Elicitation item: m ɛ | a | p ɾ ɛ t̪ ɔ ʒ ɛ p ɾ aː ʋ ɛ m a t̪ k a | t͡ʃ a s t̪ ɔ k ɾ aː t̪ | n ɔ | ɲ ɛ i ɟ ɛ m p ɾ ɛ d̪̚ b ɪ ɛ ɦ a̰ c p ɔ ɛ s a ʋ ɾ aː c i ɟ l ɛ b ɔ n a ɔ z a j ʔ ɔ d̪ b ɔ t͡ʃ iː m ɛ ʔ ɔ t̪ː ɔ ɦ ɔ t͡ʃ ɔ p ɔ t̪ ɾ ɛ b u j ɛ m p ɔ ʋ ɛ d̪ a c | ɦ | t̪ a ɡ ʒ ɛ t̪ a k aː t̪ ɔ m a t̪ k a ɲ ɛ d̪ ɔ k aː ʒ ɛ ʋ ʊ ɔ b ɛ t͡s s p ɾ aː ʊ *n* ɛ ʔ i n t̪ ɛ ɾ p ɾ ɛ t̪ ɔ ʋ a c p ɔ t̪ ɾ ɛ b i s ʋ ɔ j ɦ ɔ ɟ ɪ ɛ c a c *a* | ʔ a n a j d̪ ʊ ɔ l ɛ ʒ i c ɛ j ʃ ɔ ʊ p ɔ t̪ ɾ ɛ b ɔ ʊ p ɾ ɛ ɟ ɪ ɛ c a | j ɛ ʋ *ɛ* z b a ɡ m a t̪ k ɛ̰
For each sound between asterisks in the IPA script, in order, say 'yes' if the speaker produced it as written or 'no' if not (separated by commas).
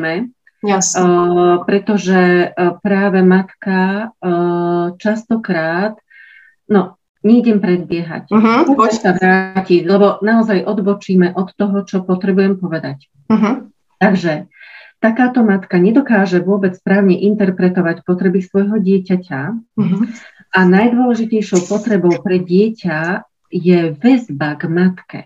no, yes, yes